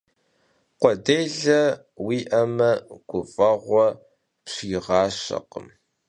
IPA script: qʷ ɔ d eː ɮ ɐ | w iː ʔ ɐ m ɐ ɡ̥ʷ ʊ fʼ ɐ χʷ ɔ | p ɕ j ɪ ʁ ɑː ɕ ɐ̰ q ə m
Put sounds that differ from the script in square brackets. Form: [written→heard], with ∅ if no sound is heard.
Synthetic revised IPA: qʷ ɔ d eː ɮ ɐ | w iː ʔ ɐ m ɐ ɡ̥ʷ ʊ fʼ ɐ [χʷ→ʁʷ] ɔ | p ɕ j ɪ ʁ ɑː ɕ ɐ̰ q ə m

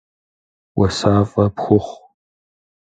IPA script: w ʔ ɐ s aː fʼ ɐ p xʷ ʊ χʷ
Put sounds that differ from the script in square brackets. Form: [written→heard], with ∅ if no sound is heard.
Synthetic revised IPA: w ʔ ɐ s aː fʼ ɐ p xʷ ʊ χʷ

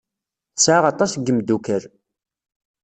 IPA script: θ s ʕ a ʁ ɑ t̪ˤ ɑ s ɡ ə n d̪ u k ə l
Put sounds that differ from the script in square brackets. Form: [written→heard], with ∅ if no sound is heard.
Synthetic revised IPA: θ s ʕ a ʁ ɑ t̪ˤ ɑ s ɡ ə [n→m] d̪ u k ə [l→ɾ]

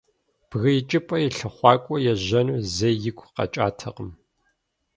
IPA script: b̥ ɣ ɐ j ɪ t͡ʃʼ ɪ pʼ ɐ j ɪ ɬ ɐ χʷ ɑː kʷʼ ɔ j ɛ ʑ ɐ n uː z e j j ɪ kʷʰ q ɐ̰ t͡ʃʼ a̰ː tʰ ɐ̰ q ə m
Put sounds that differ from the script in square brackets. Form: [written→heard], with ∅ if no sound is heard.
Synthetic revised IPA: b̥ ɣ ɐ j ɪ t͡ʃʼ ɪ pʼ ɐ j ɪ ɬ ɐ χʷ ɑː kʷʼ ɔ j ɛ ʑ ɐ n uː z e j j ɪ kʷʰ q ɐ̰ t͡ʃʼ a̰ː tʰ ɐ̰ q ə m

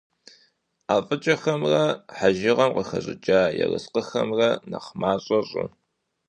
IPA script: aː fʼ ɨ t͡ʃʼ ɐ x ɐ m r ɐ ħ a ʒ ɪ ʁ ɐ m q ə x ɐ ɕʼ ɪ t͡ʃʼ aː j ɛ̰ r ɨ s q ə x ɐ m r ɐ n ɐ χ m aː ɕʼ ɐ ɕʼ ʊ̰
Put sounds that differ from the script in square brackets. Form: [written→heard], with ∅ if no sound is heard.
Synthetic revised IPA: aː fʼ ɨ t͡ʃʼ ɐ x ɐ m r ɐ ħ a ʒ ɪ ʁ ɐ m q ə x ɐ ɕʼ ɪ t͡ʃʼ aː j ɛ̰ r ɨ s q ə x ɐ m r ɐ n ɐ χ m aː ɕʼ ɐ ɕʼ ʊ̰

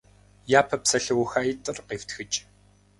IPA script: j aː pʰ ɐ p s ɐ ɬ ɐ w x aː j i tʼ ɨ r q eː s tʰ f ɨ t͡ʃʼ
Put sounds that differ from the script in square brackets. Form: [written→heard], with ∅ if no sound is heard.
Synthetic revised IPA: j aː pʰ ɐ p s ɐ ɬ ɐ w x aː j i tʼ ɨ r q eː [s→f] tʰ [f→x] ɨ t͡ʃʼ

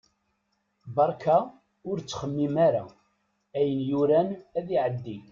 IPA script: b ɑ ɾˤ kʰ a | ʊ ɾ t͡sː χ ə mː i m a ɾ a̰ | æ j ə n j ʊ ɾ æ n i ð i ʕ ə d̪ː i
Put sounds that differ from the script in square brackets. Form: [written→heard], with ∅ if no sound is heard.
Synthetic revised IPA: b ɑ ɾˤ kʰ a | ʊ ɾ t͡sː χ ə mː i m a ɾ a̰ | æ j ə n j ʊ ɾ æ n [i→æ] ð i ʕ ə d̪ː i

